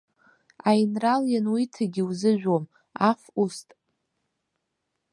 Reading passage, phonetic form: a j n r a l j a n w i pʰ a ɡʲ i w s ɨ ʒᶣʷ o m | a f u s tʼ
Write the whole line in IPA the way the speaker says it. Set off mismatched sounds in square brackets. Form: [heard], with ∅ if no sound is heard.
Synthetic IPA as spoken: a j n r a l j a n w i [tʰ] a ɡʲ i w [z] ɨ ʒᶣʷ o m | a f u s tʼ